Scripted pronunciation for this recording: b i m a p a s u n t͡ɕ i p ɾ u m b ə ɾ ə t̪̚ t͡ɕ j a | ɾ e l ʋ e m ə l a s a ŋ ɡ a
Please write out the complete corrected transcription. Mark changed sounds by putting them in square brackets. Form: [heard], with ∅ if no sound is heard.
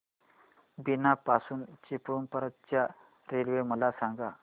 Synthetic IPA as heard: b i [n] a p a s [uː] n t͡ɕ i p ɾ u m [p] ə ɾ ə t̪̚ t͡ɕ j a | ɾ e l ʋ e m ə l a s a ŋ ɡ a